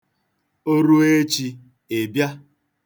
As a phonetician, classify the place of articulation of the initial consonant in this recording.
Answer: alveolar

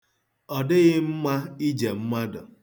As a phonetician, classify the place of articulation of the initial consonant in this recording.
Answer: alveolar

